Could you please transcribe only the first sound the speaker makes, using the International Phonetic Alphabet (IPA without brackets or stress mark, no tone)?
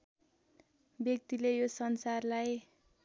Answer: b